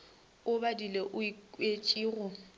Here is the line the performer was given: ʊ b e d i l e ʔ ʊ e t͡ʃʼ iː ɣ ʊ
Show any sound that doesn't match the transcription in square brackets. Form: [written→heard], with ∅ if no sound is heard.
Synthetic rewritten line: ʊ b [e→a] d i l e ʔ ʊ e t͡ʃʼ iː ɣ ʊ

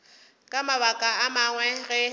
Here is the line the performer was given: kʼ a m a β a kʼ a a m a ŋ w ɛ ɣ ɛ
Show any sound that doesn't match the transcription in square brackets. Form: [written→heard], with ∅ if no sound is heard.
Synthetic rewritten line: kʼ a m a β a kʼ a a m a ŋ w ɛ ɣ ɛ

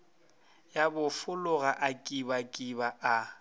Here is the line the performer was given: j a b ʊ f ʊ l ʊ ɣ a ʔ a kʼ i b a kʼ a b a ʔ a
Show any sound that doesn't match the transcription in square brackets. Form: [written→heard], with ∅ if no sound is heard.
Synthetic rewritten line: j a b ʊ f ʊ l ʊ ɣ a ʔ a kʼ i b a kʼ [a→i] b a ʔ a

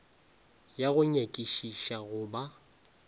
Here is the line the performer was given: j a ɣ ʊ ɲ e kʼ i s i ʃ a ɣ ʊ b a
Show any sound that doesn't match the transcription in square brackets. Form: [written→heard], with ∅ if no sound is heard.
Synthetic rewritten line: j a ɣ ʊ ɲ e kʼ i [s→ʃ] i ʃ a ɣ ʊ b a

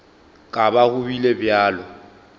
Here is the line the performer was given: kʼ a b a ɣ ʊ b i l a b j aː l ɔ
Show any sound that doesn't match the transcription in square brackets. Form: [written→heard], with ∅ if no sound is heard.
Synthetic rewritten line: kʼ a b a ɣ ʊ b i l [a→e] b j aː l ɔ

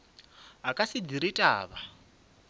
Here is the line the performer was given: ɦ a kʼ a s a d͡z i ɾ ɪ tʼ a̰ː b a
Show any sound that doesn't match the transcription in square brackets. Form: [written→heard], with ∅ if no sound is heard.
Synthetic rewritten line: ɦ a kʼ a s [a→i] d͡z i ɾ [ɪ→i] tʼ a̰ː [b→β] a

